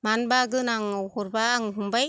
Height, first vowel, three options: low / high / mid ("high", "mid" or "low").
low